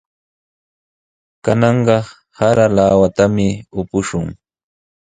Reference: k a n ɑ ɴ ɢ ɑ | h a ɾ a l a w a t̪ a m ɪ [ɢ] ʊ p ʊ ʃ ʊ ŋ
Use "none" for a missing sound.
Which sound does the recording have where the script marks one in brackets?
none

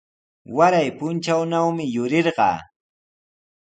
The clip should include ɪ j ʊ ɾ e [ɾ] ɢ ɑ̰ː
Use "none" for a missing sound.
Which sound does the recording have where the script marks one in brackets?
ɾ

